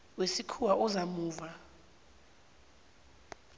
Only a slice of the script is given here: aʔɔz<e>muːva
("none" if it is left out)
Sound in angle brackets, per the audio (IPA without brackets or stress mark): a